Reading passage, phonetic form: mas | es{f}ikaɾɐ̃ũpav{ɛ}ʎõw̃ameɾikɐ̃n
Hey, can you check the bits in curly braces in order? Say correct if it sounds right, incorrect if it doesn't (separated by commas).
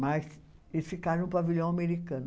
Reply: correct, incorrect